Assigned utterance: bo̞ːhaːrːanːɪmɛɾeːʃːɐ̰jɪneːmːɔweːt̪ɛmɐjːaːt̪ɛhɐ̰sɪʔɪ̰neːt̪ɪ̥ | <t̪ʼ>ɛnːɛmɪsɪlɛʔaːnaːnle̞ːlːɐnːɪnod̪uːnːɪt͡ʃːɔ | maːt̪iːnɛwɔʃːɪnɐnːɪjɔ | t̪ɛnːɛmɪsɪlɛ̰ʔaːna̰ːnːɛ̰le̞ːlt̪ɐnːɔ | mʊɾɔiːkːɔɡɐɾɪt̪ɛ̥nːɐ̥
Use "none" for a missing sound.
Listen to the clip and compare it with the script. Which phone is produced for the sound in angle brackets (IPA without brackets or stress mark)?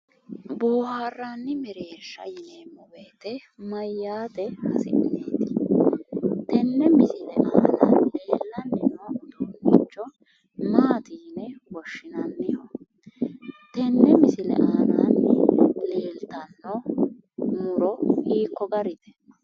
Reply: t̪